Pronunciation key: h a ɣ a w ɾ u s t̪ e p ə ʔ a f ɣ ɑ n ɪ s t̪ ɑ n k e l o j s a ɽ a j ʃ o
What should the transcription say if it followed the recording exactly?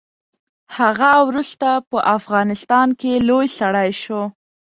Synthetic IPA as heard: h a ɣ a w ɾ u s t̪ a p ə ʔ a f ɣ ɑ n ɪ s t̪ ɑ n k e l o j s a ɽ a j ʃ o